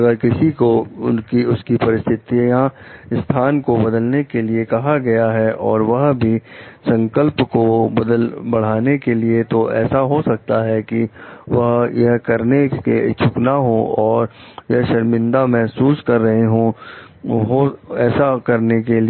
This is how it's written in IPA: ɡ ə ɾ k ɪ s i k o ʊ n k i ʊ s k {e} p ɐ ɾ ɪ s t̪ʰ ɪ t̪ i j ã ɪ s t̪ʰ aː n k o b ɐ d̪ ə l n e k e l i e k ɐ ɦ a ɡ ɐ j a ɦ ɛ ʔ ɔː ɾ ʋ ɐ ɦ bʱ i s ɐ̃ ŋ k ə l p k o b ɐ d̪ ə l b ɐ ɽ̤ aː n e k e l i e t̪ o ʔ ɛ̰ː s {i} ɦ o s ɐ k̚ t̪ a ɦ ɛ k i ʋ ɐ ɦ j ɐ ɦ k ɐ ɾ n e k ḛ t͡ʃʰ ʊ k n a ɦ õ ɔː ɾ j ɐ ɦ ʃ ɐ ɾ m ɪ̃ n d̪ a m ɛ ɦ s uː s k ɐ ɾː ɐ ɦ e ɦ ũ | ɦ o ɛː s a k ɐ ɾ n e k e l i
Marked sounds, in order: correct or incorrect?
incorrect: i, incorrect: a

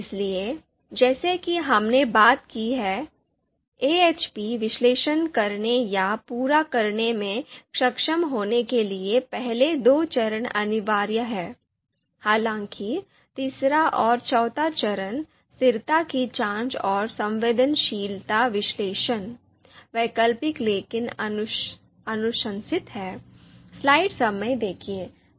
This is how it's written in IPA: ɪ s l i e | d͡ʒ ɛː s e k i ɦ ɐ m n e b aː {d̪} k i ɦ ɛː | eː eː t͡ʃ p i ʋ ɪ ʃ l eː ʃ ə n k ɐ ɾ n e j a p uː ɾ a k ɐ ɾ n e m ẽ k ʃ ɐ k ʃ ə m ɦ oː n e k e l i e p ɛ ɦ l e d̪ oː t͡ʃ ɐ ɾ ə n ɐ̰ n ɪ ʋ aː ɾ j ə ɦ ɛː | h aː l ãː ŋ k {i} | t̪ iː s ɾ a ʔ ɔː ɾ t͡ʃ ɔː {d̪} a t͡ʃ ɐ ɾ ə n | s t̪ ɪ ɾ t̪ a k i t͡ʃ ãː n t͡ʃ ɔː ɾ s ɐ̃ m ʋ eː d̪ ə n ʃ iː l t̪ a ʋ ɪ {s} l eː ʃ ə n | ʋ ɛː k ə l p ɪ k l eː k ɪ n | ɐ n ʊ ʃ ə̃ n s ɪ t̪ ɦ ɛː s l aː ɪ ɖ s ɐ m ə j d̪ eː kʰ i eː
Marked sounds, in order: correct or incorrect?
incorrect: t̪, correct, incorrect: t̪, incorrect: ʃ

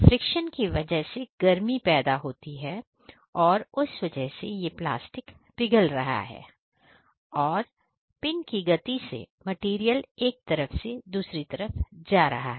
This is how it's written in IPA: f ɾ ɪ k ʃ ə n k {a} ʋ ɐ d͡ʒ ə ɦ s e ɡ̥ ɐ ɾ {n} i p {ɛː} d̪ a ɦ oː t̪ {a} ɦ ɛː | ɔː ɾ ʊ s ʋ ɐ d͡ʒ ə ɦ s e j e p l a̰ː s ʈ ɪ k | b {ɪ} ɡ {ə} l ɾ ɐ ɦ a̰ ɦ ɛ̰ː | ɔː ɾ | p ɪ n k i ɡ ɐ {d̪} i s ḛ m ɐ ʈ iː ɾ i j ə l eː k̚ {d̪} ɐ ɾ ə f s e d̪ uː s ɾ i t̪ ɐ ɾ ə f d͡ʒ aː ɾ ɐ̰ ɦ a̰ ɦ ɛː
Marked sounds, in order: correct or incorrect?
incorrect: i, incorrect: m, correct, incorrect: i, correct, correct, incorrect: t̪, incorrect: t̪

